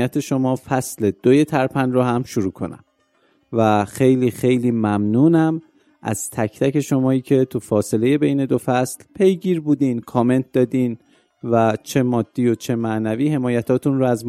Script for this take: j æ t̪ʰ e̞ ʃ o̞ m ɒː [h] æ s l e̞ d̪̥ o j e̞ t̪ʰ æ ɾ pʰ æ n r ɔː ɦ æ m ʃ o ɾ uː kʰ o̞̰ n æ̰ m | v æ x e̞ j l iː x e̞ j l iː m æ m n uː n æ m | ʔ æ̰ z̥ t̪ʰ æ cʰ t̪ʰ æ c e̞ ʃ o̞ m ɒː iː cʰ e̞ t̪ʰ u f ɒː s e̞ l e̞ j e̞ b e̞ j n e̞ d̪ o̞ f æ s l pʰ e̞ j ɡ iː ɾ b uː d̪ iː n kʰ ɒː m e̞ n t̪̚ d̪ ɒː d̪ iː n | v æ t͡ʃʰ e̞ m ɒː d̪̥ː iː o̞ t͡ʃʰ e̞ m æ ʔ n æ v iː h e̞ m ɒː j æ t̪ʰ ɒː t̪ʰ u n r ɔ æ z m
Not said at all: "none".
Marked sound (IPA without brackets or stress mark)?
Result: f